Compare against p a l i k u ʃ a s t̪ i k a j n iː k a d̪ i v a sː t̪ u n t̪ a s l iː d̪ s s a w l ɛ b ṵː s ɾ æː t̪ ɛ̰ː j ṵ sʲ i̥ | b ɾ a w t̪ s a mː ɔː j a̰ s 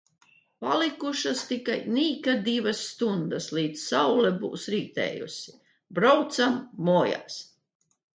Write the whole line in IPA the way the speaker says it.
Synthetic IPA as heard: p a l i k u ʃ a s t̪ i k a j n iː k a d̪ i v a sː t̪ u n d̪ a s l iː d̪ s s a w l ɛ b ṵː s ɾ iː t̪ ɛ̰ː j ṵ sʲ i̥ | b ɾ a w t̪ s a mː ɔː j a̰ s